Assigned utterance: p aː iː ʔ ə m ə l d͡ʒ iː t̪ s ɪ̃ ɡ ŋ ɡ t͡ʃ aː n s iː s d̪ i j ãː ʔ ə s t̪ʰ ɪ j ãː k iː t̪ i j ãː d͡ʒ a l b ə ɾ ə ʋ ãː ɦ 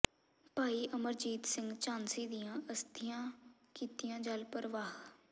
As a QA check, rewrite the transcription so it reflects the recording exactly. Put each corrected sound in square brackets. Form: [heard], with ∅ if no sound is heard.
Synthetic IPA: p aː iː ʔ ə m ə [ɾ] d͡ʒ iː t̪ s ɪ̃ [∅] ŋ ɡ t͡ʃ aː n s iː [∅] d̪ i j ãː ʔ ə s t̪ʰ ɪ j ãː k iː t̪ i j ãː d͡ʒ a l [p] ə ɾ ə ʋ [aː] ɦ